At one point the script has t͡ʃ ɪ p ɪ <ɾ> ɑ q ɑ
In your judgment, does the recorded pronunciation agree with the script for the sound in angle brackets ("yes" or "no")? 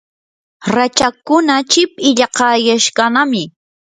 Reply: no